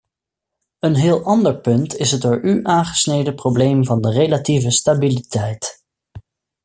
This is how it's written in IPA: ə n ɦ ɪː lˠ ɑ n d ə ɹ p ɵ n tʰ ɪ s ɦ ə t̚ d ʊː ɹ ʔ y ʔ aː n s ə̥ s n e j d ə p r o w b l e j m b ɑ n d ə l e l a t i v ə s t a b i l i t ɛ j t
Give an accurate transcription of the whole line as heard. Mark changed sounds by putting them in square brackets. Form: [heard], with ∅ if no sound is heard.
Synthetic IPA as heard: ə n ɦ ɪː lˠ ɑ n d ə ɹ p ɵ n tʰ ɪ s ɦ ə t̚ d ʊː ɹ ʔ y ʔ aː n [χ] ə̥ s n e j d ə p r o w b l e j m [v] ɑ n d ə [r] e l a t i v ə s t a b i l i t ɛ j t

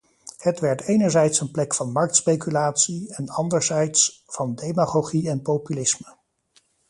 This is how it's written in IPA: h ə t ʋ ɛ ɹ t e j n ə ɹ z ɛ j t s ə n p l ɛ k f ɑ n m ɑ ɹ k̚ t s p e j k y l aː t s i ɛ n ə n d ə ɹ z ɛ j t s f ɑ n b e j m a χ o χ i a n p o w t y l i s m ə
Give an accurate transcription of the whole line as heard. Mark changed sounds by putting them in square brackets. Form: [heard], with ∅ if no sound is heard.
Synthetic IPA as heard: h ə t ʋ ɛ ɹ t e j n ə ɹ z ɛ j t s ə n p l ɛ k f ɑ n m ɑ ɹ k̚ t s p e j k y l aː t s i ɛ n [ɑ] n d ə ɹ z ɛ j t s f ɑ n [d] e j m a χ o χ i [ɛ] n p o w [p] y l [ɪ] s m ə

